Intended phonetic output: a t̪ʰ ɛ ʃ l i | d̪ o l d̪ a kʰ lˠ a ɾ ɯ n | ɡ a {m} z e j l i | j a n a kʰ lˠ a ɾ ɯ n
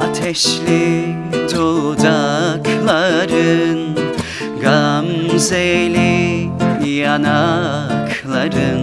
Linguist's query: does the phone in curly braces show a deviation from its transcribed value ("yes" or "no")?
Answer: no